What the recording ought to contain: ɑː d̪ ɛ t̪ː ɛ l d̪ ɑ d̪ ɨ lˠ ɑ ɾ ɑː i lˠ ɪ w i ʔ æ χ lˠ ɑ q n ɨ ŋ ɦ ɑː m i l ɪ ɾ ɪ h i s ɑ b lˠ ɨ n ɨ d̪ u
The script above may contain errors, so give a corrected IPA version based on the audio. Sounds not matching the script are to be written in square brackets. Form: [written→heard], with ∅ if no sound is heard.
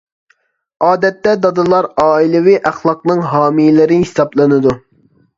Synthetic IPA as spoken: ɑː d̪ ɛ t̪ː ɛ [l→∅] d̪ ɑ d̪ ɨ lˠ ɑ ɾ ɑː i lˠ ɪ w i ʔ æ χ lˠ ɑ q n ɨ ŋ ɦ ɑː m i l ɪ ɾ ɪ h i s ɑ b lˠ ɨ n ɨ d̪ u